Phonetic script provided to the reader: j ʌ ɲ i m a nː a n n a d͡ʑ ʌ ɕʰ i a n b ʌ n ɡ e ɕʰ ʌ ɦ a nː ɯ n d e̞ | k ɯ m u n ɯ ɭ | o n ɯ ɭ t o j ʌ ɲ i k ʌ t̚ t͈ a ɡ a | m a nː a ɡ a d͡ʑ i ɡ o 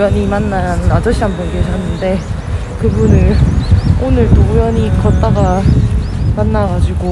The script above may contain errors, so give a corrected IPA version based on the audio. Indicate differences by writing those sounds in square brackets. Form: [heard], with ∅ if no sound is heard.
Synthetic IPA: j ʌ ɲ i m a nː a n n a d͡ʑ ʌ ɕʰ i a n b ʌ n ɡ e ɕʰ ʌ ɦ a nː ɯ n d e̞ | k ɯ [b] u n ɯ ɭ | o n ɯ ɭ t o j ʌ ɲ i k ʌ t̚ t͈ a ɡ a | m a nː a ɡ a d͡ʑ i ɡ o